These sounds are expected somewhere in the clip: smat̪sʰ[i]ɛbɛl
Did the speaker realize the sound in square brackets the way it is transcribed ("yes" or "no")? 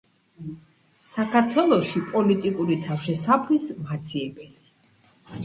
yes